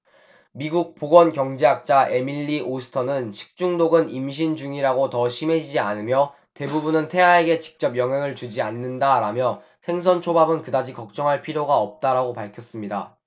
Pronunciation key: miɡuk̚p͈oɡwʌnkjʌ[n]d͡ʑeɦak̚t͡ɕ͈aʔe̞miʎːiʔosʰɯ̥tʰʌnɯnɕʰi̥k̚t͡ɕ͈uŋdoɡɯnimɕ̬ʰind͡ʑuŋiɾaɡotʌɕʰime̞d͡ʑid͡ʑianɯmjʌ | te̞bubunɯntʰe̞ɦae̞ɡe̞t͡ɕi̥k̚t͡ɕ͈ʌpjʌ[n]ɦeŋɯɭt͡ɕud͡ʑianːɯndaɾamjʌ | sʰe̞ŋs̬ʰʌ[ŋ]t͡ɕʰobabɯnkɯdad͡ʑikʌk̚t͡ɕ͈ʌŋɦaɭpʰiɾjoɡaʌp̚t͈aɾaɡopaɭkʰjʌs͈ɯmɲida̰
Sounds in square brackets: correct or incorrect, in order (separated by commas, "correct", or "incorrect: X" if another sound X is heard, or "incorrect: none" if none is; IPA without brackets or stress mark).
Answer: incorrect: ŋ, incorrect: ŋ, incorrect: n